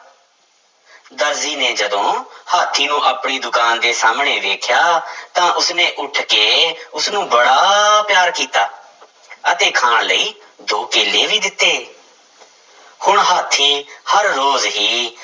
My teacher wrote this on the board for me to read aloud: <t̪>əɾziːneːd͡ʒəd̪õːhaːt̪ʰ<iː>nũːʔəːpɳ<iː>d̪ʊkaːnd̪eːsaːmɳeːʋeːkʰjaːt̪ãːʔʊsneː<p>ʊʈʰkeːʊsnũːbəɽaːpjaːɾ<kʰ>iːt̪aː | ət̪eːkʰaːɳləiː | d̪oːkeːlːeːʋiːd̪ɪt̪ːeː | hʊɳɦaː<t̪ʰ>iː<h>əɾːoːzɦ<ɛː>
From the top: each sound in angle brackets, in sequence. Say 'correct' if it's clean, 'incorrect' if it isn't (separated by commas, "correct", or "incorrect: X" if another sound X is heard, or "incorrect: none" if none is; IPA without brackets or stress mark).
incorrect: d̪, correct, correct, incorrect: ʔ, incorrect: k, correct, correct, incorrect: iː